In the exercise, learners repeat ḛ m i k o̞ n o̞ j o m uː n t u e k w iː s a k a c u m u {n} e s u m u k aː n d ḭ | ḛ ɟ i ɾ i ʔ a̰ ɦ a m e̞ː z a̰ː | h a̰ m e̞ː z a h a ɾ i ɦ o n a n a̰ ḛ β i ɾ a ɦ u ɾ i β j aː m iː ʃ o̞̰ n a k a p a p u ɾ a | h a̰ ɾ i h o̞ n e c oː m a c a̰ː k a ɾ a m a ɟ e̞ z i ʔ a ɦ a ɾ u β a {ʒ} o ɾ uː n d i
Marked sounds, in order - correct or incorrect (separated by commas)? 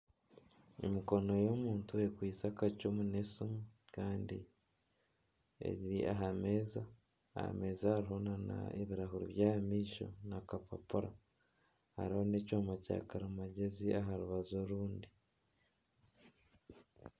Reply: correct, incorrect